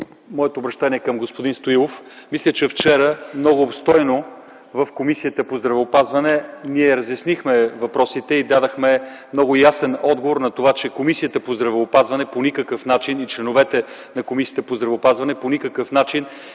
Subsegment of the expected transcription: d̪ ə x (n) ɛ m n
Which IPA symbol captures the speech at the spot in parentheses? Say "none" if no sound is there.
m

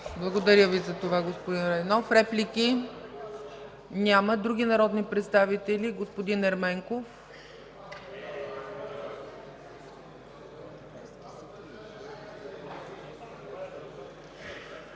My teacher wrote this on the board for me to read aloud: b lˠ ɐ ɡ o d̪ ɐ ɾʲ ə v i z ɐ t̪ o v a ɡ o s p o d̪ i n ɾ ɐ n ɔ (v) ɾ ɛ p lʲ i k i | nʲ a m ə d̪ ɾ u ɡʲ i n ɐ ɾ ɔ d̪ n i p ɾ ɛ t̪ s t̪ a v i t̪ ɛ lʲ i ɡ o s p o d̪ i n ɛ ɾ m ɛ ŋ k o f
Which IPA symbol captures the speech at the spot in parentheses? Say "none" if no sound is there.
f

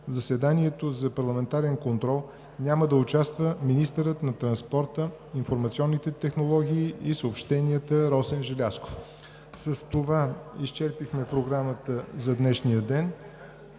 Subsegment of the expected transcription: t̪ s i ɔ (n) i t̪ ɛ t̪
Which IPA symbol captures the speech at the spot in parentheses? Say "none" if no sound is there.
nː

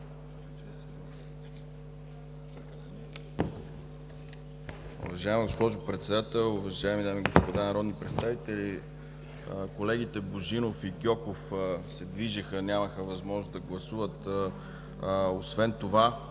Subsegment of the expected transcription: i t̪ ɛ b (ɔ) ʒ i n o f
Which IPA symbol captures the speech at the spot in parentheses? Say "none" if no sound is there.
o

